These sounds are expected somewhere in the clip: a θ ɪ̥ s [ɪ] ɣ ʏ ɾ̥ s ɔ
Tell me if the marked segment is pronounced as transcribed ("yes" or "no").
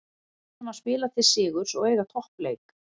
no